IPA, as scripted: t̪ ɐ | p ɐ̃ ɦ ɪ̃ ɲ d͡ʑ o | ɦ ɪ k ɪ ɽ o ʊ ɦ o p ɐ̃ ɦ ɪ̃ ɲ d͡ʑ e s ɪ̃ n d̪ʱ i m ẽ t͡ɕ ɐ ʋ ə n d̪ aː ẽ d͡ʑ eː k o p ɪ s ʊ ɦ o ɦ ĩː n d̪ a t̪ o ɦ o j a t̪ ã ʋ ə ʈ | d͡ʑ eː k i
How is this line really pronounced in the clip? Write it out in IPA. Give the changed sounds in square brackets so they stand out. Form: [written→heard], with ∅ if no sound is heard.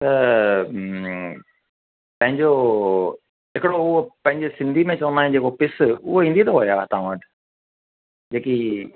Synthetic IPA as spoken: t̪ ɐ | p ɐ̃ ɦ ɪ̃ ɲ d͡ʑ o | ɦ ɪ k ɪ ɽ o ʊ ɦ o p ɐ̃ ɦ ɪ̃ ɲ d͡ʑ e s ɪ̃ n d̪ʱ i m ẽ t͡ɕ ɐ ʋ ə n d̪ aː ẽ d͡ʑ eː k o p ɪ s ʊ ɦ o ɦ ĩː n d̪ [a→i] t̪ o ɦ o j a t̪ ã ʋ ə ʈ | d͡ʑ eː k i